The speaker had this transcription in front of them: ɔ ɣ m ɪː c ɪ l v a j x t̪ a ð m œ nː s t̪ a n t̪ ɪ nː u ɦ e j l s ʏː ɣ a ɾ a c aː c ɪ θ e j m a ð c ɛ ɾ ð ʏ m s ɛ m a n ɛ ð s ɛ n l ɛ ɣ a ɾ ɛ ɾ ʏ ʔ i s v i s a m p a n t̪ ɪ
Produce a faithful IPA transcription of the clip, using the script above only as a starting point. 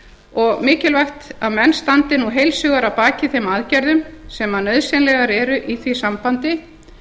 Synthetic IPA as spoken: ɔ ɣ m ɪː c ɪ l v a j x t̪ a ð m ɛ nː s t̪ a n t̪ ɪ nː u ɦ e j l s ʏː ɣ a ɾ a p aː c ɪ θ e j m a ð c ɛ ɾ ð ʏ m s ɛ m a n œ ð s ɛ n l ɛ ɣ a ɾ ɛ ɾ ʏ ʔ i θ v i s a m p a n t̪ ɪ